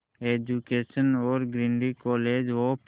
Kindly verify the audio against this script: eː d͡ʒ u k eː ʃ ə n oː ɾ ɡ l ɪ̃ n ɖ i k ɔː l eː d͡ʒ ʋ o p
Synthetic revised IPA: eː d͡ʒ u k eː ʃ ə n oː ɾ ɡ ɾ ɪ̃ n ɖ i k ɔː l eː d͡ʒ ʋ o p